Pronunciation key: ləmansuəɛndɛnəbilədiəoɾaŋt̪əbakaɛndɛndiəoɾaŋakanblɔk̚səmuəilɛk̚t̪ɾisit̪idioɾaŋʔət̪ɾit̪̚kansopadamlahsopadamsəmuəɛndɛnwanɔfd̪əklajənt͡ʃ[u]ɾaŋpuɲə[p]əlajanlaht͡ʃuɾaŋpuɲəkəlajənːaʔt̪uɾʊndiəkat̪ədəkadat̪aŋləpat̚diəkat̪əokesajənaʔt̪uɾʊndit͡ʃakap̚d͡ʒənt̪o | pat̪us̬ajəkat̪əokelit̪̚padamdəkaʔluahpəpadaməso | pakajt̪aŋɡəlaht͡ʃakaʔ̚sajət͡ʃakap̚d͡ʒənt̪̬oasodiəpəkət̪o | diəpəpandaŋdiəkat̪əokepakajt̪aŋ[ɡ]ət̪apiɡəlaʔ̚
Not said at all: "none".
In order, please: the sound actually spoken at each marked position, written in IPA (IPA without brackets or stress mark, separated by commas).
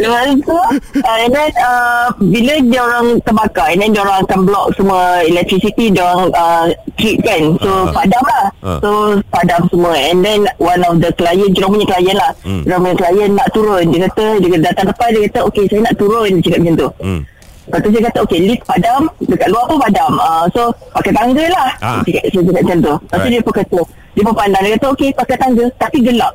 u, k, ɡ